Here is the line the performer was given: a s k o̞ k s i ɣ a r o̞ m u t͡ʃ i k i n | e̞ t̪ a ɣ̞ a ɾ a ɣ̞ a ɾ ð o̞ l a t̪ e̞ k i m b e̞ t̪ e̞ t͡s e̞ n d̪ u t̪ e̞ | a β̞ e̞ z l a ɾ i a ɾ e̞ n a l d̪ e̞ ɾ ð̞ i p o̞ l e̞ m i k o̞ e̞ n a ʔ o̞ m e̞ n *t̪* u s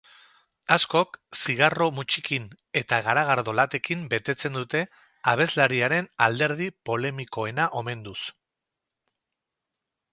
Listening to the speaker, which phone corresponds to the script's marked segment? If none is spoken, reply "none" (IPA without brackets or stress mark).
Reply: d̪